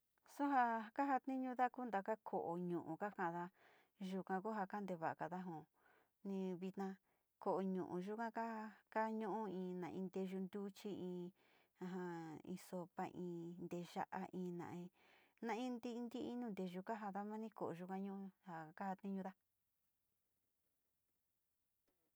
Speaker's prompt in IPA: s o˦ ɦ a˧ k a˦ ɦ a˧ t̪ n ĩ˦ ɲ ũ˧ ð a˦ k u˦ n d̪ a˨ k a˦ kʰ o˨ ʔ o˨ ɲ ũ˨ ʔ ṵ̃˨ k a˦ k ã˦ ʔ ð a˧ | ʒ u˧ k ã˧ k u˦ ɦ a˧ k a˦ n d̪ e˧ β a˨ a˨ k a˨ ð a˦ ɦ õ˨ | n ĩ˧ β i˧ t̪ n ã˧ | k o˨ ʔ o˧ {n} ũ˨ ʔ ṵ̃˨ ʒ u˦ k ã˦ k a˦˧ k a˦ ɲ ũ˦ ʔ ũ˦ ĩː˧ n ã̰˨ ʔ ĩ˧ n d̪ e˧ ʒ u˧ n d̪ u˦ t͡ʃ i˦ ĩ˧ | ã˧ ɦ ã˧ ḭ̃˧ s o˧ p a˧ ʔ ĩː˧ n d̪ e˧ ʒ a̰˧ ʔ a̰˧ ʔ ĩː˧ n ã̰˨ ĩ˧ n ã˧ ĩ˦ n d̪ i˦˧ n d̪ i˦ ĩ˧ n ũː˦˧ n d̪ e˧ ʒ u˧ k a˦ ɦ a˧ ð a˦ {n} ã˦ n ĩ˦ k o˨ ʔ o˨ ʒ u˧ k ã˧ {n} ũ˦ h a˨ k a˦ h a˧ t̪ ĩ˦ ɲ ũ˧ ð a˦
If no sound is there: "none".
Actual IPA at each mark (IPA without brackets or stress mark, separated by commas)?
ɲ, m, ɲ